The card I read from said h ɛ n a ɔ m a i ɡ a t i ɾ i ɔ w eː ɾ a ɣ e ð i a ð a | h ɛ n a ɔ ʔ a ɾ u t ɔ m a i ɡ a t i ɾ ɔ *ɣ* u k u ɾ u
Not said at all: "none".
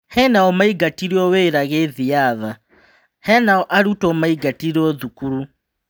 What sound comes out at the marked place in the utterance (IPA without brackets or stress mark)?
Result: ð